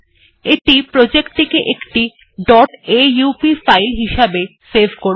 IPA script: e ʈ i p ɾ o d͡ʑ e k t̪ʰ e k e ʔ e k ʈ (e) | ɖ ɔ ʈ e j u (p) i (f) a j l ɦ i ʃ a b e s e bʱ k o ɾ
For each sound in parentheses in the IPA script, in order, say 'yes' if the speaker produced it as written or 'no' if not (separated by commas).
no, yes, yes